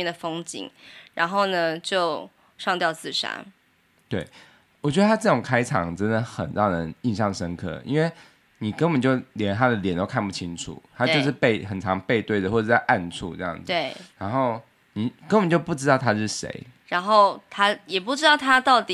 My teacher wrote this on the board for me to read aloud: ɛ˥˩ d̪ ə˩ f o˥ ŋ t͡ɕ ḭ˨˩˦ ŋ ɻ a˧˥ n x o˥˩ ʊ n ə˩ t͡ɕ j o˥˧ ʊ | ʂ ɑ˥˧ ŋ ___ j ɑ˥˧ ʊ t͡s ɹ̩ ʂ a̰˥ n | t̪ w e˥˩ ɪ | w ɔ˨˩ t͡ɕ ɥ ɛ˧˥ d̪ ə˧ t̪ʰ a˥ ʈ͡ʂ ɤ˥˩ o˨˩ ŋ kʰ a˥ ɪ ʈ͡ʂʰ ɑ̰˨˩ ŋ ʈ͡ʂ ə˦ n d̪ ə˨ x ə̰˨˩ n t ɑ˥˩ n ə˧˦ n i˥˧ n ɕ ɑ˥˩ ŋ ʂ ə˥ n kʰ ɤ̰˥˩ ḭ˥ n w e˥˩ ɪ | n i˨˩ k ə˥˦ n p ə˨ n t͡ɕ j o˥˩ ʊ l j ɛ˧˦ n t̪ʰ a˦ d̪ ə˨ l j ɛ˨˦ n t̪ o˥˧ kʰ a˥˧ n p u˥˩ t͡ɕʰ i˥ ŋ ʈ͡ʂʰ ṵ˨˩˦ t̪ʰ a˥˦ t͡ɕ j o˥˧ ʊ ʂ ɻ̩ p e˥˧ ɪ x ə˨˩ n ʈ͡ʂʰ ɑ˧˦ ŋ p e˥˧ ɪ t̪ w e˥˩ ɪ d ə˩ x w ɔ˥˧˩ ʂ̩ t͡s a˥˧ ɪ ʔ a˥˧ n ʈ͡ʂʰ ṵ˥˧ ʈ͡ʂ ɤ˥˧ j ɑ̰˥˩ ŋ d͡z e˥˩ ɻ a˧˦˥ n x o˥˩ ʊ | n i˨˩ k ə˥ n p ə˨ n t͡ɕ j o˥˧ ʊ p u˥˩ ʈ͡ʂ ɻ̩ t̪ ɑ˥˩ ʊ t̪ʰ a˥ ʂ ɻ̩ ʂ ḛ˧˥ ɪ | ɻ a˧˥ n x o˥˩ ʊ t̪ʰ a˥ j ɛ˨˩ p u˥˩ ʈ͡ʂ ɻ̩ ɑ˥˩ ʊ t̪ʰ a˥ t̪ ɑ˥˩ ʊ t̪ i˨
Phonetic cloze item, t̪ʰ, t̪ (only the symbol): t̪